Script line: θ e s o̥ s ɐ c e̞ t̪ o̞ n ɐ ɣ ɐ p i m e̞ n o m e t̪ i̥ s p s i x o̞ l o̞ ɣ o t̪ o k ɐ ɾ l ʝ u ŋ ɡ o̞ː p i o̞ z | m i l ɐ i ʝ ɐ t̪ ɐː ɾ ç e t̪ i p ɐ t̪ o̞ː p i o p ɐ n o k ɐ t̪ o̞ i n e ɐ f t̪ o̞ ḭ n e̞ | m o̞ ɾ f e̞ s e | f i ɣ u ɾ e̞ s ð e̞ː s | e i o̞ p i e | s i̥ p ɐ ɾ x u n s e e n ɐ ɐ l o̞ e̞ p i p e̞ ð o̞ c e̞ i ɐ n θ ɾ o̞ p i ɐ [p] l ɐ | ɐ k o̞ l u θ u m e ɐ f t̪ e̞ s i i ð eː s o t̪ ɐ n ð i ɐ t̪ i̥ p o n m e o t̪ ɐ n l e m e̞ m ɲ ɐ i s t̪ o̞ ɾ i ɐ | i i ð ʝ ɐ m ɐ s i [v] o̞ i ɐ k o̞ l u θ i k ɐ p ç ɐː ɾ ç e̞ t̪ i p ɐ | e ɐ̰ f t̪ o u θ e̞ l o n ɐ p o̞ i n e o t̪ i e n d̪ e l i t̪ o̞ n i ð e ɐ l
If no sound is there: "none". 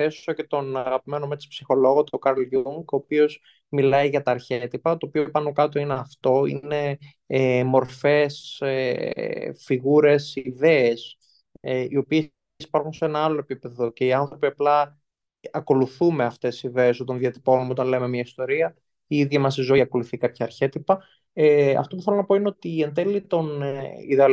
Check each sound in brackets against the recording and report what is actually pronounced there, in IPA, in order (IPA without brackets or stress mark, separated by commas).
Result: p, z